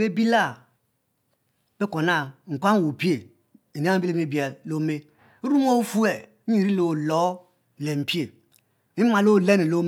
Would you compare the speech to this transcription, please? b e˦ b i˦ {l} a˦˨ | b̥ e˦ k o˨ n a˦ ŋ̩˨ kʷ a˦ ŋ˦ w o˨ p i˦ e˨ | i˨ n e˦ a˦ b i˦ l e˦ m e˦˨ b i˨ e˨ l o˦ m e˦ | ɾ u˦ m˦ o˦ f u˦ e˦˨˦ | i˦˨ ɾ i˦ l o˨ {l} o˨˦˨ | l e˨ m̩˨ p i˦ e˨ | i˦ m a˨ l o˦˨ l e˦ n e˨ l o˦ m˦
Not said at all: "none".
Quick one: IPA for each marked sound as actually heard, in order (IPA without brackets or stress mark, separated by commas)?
l, l